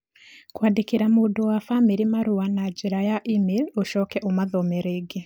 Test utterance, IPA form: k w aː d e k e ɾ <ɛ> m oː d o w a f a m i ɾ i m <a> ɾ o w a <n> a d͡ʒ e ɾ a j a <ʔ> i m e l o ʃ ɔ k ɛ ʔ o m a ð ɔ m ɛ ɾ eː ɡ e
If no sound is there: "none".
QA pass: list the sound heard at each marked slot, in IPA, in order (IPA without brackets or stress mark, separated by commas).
a, a, n, ʔ